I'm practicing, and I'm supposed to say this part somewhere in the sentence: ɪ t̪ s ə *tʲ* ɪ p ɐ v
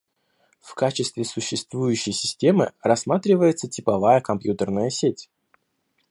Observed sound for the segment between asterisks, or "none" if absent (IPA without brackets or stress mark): tʲ